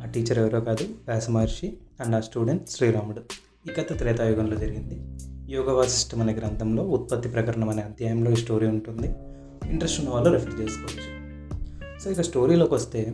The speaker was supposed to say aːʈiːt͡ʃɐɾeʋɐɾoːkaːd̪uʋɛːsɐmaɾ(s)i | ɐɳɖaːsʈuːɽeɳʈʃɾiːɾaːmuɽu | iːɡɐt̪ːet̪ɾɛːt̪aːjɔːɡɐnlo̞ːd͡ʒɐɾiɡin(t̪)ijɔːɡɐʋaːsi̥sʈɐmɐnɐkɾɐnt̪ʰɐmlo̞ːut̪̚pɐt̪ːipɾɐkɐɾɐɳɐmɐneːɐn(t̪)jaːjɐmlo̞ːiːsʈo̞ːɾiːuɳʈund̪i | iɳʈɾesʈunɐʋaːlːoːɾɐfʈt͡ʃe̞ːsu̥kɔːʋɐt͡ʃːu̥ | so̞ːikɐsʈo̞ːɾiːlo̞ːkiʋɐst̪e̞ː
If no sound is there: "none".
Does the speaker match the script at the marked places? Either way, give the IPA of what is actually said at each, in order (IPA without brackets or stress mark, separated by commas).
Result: ʂ, d̪, t̪